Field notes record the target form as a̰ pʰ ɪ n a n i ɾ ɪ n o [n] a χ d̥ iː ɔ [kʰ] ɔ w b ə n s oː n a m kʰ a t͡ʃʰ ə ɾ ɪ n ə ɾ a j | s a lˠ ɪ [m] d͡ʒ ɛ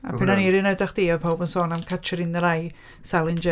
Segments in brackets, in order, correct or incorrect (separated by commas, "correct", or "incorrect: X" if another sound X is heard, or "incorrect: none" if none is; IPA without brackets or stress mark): incorrect: d, incorrect: pʰ, incorrect: n